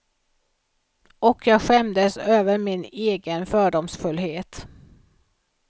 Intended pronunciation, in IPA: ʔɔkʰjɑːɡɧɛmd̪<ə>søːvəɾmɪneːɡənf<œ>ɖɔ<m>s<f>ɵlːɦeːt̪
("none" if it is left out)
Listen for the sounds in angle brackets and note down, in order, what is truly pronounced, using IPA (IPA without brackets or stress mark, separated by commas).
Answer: ə, œː, m, f